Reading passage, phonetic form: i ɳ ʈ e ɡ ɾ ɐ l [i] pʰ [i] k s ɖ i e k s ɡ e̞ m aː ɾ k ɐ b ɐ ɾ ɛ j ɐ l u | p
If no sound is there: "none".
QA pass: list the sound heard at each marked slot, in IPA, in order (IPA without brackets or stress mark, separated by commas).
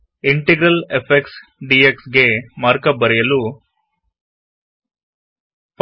e, e